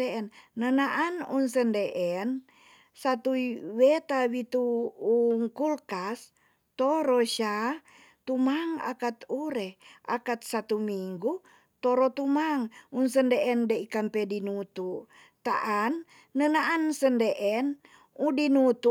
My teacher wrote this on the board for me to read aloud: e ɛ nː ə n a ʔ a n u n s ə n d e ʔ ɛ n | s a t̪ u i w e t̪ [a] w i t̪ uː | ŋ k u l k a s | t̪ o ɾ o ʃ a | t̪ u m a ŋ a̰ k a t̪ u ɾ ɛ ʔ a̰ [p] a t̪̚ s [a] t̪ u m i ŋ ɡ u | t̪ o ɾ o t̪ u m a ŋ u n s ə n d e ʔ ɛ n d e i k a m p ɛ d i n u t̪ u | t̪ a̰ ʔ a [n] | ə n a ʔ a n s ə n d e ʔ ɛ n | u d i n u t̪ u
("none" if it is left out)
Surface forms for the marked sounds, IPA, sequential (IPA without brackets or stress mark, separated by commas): a, k, a, nː